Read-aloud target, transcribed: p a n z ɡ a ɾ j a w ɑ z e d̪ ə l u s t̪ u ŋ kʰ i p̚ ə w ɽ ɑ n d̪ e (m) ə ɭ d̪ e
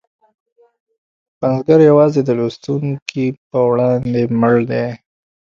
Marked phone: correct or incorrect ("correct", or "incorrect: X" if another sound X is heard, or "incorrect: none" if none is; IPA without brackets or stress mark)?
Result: correct